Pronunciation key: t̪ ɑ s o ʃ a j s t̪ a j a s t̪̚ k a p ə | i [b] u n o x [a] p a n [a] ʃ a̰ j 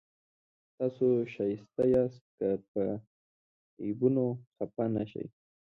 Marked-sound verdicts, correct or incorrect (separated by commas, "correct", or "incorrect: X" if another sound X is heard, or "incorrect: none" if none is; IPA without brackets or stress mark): correct, correct, correct